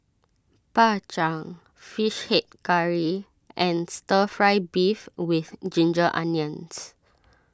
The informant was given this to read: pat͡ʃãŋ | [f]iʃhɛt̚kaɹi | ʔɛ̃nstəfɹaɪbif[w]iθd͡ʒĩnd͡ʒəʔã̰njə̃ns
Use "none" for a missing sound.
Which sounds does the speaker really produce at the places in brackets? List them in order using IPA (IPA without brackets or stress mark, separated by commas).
f, w